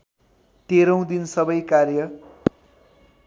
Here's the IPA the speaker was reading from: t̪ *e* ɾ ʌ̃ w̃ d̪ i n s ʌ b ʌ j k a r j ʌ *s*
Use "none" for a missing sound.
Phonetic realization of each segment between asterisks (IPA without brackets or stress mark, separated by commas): e, none